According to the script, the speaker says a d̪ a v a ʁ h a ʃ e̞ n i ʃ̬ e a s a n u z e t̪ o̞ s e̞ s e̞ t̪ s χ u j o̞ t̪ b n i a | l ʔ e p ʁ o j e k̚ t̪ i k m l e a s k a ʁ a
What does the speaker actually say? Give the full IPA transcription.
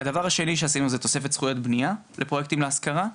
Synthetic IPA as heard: a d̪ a v a ʁ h a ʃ e̞ n i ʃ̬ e a s i n u z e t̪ o̞ s e̞ f e̞ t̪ s χ u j o̞ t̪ b n i a | l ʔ e p ʁ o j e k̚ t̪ i m l e a s k a ʁ a